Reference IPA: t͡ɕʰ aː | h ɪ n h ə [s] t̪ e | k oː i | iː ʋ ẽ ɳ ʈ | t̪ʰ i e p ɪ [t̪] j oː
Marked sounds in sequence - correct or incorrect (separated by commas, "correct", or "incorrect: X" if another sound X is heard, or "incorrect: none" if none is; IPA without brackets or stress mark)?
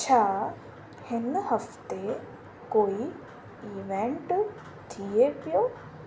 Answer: incorrect: f, incorrect: none